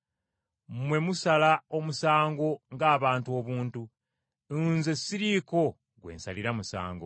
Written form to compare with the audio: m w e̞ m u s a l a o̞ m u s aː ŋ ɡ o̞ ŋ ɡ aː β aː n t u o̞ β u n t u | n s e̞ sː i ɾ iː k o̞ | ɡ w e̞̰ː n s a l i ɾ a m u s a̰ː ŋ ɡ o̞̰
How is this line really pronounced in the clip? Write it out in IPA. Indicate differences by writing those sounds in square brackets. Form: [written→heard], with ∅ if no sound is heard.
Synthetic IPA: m w e̞ m u s a l a o̞ m u s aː ŋ ɡ o̞ ŋ ɡ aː β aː n t u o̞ β [u→uː] n t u | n [s→z] e̞ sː i ɾ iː k o̞ | ɡ w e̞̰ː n s a l i ɾ a m u s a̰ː ŋ ɡ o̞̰